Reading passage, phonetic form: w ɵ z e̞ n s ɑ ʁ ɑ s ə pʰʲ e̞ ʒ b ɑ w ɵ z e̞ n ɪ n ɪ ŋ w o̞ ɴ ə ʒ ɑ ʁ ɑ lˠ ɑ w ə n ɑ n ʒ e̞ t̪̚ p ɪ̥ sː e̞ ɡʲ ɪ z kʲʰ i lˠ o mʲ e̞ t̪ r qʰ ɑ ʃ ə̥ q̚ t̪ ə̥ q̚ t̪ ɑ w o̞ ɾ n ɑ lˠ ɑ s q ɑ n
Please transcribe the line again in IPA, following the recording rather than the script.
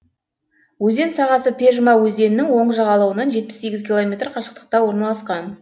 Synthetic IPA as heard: w ɵ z e̞ n s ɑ ʁ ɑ s ə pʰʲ e̞ ʒ m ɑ w ɵ z e̞ n ɪ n ɪ ŋ w o̞ ɴ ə ʒ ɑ ʁ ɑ lˠ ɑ w ə n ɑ n ʒ e̞ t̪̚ p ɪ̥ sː e̞ ɡʲ ɪ z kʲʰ i lˠ o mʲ e̞ t̪ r qʰ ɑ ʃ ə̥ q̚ t̪ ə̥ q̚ t̪ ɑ w o̞ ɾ n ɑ lˠ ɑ s q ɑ n